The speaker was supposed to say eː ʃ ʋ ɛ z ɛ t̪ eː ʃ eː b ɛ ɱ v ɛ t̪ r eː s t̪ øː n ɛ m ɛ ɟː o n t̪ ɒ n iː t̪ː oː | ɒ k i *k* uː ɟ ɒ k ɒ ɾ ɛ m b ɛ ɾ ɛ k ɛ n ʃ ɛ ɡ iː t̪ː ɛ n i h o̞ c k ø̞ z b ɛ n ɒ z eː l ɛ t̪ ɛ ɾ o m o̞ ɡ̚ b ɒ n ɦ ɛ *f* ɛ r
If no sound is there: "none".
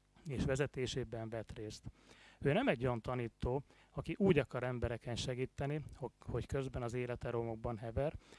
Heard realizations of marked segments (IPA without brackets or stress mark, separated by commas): ʔ, v